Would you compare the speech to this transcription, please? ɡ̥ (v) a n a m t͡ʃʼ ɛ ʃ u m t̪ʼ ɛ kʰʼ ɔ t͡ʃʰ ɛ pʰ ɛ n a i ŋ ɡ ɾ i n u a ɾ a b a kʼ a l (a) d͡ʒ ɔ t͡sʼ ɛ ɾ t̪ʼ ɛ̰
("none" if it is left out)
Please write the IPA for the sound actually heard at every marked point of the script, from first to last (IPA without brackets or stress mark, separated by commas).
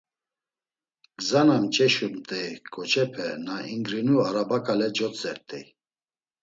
z, ɛ